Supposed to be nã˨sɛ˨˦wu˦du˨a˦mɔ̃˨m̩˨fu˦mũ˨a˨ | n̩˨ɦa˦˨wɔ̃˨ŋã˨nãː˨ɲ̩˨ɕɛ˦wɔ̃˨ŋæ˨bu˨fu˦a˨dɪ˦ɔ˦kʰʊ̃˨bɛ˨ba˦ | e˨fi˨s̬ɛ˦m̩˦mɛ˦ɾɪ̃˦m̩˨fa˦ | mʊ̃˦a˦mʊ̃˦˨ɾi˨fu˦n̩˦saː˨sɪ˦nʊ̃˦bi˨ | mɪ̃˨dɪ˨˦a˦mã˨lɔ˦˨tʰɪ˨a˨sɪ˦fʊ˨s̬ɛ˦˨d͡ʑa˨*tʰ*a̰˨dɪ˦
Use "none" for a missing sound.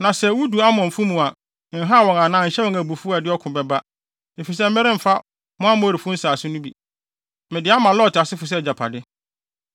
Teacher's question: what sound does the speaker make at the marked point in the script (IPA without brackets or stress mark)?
pʰ